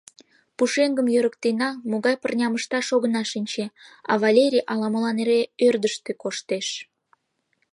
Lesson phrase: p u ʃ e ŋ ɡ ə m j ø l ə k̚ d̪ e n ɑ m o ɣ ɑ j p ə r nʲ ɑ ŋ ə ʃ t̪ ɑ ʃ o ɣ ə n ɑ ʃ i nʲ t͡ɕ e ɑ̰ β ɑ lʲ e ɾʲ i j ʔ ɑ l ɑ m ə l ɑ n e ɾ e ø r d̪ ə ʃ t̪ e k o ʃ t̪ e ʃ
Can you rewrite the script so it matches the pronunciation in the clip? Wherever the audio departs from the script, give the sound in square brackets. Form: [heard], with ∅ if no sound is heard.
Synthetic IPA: p u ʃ e ŋ ɡ ə m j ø [ɾ] ə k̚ [t̪] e n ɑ m o ɣ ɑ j p ə r nʲ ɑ [m] ə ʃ t̪ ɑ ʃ o ɣ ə n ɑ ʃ i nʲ t͡ɕ e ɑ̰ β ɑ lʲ e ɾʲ i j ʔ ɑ l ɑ m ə l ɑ n e ɾ e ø r d̪ ə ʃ t̪ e k o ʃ t̪ e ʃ